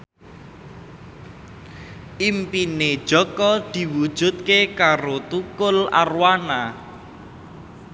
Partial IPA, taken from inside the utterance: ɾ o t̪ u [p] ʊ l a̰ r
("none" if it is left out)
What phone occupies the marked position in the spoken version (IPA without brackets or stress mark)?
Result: k